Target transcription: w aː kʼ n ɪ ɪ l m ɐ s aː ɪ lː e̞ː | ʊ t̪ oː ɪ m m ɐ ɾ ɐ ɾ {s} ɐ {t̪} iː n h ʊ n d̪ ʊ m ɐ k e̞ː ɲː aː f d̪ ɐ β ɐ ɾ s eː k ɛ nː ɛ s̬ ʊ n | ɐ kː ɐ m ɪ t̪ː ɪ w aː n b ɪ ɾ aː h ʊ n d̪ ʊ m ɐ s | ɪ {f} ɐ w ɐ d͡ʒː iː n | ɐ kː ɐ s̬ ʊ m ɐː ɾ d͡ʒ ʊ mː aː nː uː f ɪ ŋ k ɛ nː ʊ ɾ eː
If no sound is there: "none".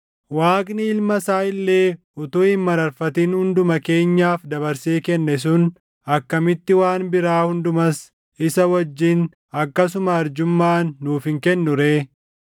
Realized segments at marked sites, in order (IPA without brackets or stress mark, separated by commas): f, t̪, s